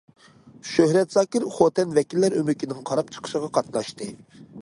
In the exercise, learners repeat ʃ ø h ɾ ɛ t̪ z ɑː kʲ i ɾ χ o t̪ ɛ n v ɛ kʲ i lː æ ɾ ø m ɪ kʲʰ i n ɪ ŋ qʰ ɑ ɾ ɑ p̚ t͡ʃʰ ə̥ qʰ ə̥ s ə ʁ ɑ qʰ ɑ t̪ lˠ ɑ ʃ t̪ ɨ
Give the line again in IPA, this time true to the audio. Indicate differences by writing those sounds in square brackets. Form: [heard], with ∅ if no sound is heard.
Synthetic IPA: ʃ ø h ɾ ɛ t̪ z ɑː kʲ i ɾ χ o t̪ ɛ n v ɛ kʲ i lː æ ɾ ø m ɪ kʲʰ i n ɪ ŋ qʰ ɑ ɾ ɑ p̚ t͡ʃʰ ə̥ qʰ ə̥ [ʃ] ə ʁ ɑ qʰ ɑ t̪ lˠ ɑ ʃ t̪ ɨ